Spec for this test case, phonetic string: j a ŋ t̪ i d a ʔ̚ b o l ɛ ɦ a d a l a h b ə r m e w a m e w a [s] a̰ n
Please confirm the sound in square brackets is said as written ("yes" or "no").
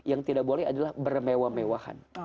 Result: no